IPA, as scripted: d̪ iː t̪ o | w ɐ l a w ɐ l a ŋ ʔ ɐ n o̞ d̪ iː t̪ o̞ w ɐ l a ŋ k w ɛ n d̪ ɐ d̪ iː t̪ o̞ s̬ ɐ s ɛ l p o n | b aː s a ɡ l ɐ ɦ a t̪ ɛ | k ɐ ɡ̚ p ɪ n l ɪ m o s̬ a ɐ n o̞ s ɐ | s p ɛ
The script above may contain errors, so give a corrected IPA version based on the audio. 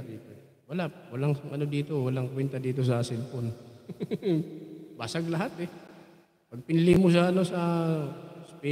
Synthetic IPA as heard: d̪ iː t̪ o | w ɐ l a w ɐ l a ŋ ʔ ɐ n o̞ d̪ iː t̪ o̞ w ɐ l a ŋ k w ɛ n t̪ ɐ d̪ iː t̪ o̞ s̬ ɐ s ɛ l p o n | b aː s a ɡ l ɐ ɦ a t̪ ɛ | p ɐ ɡ̚ p ɪ n l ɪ m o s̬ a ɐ n o̞ s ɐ | s p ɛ

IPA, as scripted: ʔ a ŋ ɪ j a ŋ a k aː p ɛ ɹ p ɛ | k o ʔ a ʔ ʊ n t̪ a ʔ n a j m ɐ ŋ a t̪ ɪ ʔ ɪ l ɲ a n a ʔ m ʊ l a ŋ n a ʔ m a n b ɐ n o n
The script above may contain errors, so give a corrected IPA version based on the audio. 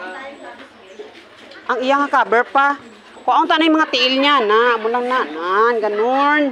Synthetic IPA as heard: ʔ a ŋ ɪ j a ŋ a k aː b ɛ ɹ p a | k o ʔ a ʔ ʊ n t̪ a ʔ n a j m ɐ ŋ a t̪ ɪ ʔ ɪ l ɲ a n a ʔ m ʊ l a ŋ n a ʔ n a n ɡ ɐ n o n

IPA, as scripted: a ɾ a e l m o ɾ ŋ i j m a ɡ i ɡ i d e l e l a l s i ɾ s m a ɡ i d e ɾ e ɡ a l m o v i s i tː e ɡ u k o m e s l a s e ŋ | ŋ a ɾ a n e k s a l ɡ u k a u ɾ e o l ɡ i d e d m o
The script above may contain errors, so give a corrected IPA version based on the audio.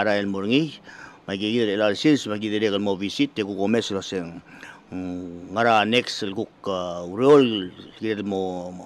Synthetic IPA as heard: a ɾ a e l m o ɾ ŋ i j m a ɡ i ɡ i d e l e l a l s i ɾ s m a ɡ i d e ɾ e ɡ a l m o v i s i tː e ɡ u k o m e s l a s e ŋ | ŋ a ɾ a n e k s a l ɡ u k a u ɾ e o l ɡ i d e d m o

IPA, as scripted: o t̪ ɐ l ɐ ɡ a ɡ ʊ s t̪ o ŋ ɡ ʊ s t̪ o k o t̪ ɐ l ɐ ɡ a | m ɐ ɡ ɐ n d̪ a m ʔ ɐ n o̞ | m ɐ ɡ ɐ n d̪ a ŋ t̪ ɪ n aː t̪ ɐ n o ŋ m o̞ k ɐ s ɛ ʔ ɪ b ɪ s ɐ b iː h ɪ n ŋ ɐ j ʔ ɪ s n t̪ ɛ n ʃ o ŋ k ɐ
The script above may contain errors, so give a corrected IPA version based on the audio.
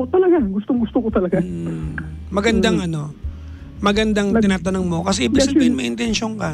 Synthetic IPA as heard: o t̪ ɐ l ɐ ɡ a ɡ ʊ s t̪ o ŋ ɡ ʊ s t̪ o k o t̪ ɐ l ɐ ɡ a | m ɐ ɡ ɐ n d̪ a ŋ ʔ ɐ n o̞ | m ɐ ɡ ɐ n d̪ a ŋ t̪ ɪ n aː t̪ ɐ n o ŋ m o̞ k ɐ s ɛ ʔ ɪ b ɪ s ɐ b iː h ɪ n m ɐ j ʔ ɪ n t̪ ɛ n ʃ o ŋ k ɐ

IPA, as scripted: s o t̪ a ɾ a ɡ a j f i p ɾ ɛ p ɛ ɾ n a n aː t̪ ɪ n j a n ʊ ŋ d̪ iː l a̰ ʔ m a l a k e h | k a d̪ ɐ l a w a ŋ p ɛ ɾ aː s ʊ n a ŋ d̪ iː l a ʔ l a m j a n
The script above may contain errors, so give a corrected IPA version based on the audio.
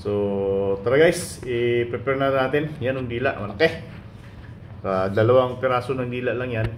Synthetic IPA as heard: s o t̪ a ɾ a ɡ a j s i p ɾ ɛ p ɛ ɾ n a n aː t̪ ɪ n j a n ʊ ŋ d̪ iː l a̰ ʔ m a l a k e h | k a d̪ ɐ l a w a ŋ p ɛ ɾ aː s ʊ n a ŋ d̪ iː l a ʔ l a ŋ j a n

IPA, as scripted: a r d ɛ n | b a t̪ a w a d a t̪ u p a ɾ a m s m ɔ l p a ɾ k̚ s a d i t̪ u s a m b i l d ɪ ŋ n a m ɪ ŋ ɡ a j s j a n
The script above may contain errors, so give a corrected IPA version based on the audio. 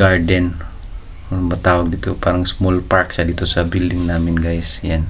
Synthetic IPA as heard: a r d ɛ n | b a t̪ a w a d i t̪ u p a ɾ a ŋ s m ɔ l p a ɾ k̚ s a d i t̪ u s a b i l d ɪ ŋ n a m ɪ n ɡ a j s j a n

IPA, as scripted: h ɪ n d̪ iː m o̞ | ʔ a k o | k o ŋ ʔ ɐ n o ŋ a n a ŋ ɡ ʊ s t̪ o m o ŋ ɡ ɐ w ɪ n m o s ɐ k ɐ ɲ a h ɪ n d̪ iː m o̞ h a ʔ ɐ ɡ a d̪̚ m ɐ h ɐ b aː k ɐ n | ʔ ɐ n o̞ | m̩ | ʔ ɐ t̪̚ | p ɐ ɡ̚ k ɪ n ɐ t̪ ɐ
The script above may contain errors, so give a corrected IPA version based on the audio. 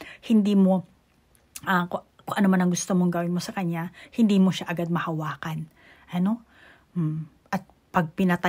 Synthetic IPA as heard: h ɪ n d̪ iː m o̞ | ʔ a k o | k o ŋ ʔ ɐ n o m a n ɐ ŋ ɡ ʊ s t̪ o m o ŋ ɡ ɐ w ɪ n m o s ɐ k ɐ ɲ a h ɪ n d̪ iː m o̞ ʃ a ʔ ɐ ɡ a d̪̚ m ɐ h ɐ w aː k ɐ n | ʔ ɐ n o̞ | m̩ | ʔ ɐ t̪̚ | p ɐ ɡ̚ p ɪ n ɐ t̪ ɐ

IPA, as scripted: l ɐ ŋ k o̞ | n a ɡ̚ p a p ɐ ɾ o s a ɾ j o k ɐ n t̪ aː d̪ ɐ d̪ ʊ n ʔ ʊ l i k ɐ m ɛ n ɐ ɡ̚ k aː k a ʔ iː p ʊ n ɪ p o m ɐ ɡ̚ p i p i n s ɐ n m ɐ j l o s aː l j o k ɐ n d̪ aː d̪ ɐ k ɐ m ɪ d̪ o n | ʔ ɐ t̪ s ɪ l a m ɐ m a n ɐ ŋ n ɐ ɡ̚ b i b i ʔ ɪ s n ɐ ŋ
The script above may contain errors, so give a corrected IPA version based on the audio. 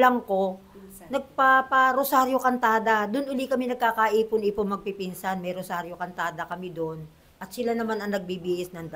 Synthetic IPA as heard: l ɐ ŋ k o̞ | n ɐ ɡ̚ p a p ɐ ɾ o s a ɾ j o k ɐ n t̪ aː d̪ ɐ d̪ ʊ n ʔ ʊ l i k ɐ m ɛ n ɐ ɡ̚ k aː k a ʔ iː p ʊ n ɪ p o m ɐ ɡ̚ p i p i n s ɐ n m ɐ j ɾ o s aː ɾ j o k ɐ n t̪ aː d̪ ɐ k ɐ m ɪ d̪ o n | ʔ ɐ t̪ s ɪ l a n ɐ m a n ɐ ŋ n ɐ ɡ̚ b i b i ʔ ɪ s n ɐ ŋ

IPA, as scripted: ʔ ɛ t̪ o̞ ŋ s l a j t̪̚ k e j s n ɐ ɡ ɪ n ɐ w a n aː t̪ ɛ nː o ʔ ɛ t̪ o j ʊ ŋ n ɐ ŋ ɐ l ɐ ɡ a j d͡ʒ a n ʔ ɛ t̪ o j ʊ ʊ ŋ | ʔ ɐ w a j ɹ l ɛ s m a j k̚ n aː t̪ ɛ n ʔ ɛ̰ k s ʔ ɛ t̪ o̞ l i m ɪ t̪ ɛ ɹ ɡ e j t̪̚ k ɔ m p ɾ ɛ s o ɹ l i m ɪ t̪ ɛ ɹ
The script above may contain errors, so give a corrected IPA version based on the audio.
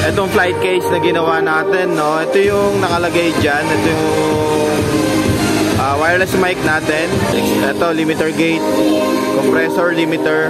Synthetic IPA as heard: ʔ ɛ t̪ o̞ ŋ f l a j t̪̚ k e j s n ɐ ɡ ɪ n ɐ w a n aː t̪ ɛ nː o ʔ ɛ t̪ o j ʊ ŋ n ɐ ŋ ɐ l ɐ ɡ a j d͡ʒ a n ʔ ɛ t̪ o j ʊ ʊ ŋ | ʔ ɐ w a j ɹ l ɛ s m a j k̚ n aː t̪ ɛ n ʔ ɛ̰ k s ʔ ɛ t̪ o̞ l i m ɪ t̪ ɛ ɹ ɡ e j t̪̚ k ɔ m p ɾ ɛ s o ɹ l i m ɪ t̪ ɛ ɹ

